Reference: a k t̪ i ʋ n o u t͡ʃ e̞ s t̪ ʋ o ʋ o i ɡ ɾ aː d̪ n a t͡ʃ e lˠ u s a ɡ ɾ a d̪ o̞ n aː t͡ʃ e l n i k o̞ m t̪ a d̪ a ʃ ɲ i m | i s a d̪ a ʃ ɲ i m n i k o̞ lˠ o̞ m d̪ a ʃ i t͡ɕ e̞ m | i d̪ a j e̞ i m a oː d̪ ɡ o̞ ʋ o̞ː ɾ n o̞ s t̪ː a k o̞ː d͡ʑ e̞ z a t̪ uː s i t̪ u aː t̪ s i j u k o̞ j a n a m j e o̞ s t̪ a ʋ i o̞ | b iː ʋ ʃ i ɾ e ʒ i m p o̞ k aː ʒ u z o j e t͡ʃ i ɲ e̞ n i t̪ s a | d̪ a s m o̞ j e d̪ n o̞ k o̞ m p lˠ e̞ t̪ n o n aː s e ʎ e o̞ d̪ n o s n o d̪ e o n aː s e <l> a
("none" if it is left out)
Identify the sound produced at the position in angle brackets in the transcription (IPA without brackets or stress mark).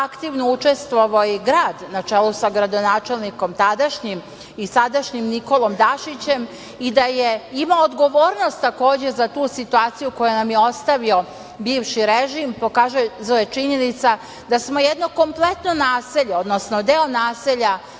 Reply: ʎ